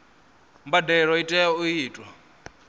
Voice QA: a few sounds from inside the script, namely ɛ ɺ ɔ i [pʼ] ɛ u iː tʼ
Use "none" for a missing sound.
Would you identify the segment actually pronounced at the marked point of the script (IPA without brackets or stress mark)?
tʼ